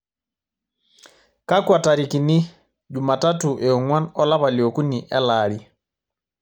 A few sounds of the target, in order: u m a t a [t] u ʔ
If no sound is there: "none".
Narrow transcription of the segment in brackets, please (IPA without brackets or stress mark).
t